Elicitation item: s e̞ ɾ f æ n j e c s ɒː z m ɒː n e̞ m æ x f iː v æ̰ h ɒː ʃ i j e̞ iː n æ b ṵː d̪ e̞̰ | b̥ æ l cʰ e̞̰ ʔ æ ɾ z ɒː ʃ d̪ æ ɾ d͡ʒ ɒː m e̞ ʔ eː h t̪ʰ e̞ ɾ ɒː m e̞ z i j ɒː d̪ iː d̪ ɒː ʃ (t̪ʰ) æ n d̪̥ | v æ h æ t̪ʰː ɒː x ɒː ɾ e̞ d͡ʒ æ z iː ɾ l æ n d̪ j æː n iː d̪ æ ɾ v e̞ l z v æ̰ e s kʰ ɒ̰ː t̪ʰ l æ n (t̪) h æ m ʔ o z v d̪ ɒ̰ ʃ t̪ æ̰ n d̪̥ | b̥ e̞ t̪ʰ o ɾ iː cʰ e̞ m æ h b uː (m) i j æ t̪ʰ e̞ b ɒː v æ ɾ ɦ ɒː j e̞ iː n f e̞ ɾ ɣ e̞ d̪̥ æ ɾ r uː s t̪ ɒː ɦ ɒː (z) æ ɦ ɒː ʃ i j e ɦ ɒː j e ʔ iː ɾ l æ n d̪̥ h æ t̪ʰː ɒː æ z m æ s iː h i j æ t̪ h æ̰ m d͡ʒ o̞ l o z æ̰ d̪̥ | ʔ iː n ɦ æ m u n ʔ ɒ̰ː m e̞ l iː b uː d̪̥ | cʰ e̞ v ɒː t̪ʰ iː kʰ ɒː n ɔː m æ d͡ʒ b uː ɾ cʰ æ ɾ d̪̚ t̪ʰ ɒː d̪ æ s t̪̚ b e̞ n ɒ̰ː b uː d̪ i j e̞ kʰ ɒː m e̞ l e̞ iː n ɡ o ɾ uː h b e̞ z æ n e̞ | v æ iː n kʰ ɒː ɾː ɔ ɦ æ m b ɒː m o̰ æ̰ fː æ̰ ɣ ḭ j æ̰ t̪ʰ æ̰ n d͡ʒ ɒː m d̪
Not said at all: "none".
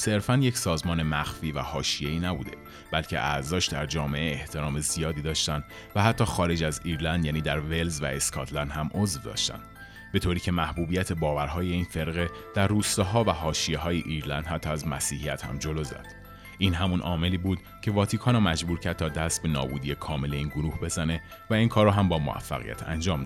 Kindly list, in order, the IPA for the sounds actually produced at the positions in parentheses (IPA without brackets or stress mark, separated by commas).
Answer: t̪, d̪, b, v